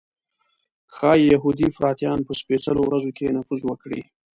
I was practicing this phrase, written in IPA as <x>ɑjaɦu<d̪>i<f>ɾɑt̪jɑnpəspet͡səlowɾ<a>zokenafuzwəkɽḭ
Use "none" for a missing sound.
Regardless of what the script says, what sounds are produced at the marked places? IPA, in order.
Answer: x, d̪, f, a

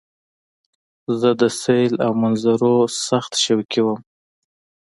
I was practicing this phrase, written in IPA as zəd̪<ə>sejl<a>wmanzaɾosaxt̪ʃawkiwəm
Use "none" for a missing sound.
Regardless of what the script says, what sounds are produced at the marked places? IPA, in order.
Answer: ə, a

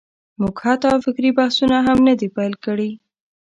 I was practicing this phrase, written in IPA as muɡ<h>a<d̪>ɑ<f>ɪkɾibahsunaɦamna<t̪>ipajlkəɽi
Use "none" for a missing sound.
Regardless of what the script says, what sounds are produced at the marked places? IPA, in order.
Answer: h, t̪, f, d̪

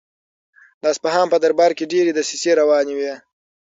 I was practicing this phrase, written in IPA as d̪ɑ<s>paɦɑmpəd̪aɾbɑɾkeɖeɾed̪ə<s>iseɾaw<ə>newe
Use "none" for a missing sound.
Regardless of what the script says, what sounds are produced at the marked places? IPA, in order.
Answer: s, s, ɑ

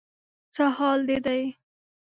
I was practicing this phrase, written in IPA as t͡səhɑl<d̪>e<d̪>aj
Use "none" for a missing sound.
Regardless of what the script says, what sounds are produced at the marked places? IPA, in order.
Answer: d̪, d̪

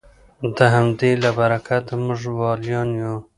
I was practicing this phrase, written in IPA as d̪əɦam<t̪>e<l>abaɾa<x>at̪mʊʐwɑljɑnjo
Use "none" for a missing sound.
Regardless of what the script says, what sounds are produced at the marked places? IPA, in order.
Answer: d̪, l, k

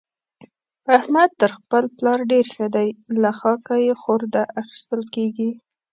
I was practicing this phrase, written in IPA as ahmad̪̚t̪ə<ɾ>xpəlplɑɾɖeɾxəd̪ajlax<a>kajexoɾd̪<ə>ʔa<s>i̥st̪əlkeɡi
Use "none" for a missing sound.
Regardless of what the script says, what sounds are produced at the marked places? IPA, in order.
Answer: ɾ, ɑ, a, x

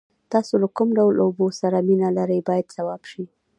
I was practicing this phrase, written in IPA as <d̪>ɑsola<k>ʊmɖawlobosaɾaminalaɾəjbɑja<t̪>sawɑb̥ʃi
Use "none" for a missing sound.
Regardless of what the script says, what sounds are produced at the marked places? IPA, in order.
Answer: t̪, k, d̪

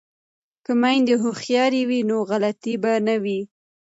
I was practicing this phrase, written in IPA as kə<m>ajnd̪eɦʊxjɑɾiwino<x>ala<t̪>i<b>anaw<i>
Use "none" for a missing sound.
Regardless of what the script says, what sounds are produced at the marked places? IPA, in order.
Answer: m, ɣ, t̪, b, i

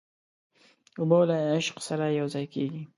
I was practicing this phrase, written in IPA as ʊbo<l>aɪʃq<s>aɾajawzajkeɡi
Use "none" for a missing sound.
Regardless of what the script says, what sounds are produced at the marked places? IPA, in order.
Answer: l, s

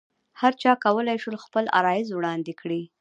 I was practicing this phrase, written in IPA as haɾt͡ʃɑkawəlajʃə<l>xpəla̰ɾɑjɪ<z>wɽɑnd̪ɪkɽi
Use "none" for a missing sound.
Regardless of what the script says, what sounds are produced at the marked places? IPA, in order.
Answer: l, z

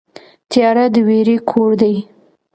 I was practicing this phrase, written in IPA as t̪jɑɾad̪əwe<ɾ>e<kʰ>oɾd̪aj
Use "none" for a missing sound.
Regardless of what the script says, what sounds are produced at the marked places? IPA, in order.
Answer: ɾ, kʰ

